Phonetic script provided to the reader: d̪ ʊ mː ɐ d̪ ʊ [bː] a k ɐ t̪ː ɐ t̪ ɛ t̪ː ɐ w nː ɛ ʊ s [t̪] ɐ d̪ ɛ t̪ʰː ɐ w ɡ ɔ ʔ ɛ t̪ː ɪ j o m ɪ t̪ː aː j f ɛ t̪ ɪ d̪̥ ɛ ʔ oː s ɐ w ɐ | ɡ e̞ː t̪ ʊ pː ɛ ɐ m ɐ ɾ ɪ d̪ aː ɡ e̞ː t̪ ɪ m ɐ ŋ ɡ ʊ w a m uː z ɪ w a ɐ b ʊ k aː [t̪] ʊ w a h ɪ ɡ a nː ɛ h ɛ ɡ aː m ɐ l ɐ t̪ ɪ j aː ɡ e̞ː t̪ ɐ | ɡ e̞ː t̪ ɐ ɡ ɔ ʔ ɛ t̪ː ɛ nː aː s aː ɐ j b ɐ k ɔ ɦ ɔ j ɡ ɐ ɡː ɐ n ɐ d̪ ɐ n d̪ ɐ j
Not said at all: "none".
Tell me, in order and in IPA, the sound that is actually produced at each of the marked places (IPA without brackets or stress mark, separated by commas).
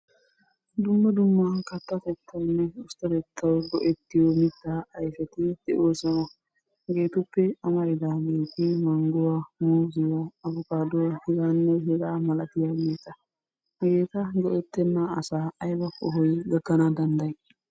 mː, t̪, d̪